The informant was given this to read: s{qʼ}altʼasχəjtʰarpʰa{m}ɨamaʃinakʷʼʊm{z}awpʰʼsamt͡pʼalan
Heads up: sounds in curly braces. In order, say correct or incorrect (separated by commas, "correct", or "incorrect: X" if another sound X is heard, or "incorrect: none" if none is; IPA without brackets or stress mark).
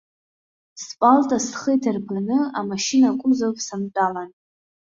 incorrect: pʼ, incorrect: n, correct